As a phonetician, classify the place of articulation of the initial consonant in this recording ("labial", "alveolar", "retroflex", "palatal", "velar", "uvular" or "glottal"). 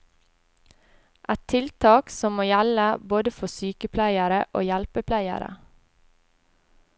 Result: glottal